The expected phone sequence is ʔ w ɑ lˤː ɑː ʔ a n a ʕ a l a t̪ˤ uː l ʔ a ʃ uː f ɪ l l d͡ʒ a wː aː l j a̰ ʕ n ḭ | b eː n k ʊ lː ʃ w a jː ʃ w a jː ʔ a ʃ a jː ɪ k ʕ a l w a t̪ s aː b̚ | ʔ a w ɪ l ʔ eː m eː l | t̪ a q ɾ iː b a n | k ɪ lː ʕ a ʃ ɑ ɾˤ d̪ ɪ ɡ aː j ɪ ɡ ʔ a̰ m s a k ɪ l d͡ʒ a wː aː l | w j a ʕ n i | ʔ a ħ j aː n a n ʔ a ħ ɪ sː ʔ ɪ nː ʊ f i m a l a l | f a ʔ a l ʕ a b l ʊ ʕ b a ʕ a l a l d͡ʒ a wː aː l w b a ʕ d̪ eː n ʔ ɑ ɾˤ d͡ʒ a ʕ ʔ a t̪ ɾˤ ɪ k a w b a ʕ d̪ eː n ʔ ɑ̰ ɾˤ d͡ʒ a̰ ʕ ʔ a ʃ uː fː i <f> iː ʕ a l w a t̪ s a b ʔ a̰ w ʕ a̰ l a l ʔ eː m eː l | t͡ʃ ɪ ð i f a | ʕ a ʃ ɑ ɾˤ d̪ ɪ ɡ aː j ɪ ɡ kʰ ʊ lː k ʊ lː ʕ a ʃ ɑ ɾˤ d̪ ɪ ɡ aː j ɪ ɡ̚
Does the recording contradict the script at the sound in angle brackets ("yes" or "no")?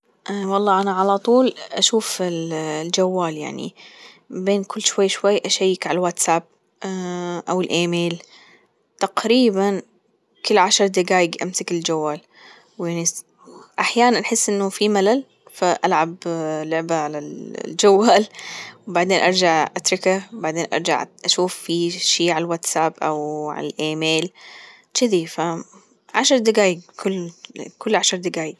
yes